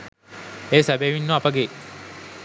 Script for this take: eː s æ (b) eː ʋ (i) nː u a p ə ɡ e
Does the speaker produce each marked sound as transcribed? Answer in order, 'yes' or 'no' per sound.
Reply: yes, yes

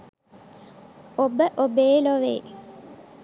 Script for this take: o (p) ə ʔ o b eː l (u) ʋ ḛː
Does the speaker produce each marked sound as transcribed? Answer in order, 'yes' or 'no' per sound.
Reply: no, no

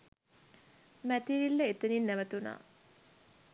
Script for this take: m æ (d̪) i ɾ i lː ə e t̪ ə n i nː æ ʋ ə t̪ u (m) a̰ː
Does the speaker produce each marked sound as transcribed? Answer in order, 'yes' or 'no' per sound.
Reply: no, no

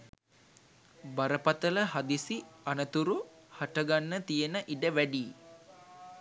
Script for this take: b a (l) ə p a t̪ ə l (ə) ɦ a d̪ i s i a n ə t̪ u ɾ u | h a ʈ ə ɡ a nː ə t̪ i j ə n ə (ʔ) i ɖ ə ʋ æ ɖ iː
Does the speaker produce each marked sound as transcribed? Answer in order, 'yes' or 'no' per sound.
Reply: no, yes, yes

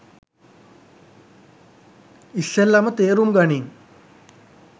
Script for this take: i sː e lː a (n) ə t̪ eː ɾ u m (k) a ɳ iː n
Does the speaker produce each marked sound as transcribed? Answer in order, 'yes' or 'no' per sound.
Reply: no, no

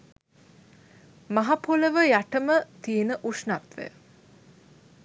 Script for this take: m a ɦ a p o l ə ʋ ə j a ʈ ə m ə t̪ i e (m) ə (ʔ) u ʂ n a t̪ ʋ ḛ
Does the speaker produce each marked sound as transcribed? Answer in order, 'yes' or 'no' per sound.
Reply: no, yes

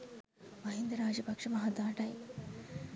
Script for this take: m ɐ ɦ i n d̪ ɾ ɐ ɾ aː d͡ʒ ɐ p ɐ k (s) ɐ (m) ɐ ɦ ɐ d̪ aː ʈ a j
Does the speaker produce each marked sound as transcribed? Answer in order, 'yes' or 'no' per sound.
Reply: no, yes

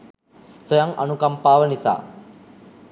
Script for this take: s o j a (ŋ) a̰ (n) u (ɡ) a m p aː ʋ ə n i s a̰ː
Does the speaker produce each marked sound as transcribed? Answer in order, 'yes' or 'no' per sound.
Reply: yes, yes, no

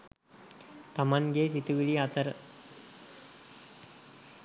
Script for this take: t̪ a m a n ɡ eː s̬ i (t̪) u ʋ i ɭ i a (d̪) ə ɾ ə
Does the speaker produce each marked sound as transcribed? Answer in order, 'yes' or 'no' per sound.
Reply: yes, no

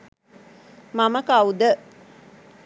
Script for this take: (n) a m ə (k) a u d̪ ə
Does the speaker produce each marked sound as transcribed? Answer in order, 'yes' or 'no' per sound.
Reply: no, yes

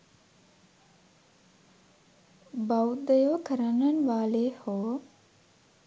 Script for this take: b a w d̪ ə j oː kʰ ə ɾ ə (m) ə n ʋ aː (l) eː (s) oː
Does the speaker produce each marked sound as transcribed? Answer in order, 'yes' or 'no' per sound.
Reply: no, yes, no

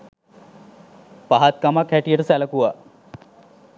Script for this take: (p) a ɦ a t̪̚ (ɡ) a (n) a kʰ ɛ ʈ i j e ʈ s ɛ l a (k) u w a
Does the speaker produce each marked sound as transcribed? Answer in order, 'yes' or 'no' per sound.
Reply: yes, no, no, yes

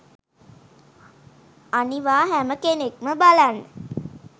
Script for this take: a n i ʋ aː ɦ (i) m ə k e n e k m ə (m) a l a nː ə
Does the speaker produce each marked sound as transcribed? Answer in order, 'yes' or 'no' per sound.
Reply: no, no

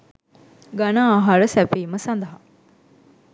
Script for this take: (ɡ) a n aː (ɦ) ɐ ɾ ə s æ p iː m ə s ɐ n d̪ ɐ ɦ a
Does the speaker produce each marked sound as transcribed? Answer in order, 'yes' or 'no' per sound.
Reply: yes, yes

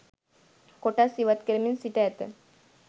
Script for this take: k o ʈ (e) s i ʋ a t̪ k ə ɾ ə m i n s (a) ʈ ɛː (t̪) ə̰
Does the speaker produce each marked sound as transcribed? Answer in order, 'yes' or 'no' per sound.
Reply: no, no, yes

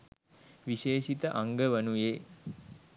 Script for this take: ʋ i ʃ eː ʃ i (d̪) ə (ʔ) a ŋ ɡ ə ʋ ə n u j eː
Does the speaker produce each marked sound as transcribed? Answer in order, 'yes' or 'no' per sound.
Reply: no, yes

